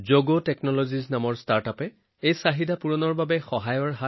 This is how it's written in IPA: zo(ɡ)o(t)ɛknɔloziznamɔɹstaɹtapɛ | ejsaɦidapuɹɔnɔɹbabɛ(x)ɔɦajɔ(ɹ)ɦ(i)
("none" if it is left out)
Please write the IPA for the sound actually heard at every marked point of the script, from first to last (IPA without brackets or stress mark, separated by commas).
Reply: ɡ, t, x, ɹ, a